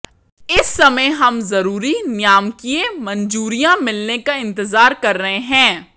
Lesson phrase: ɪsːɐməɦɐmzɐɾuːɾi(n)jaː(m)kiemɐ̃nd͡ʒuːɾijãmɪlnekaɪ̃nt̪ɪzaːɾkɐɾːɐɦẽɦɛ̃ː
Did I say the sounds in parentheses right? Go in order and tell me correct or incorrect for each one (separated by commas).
correct, correct